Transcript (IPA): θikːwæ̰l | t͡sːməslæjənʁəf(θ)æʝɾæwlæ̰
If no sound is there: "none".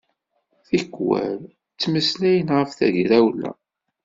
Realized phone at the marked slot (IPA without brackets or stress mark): θ